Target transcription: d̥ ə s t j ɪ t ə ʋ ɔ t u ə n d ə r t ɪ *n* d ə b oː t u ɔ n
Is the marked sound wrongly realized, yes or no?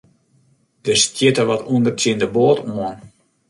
no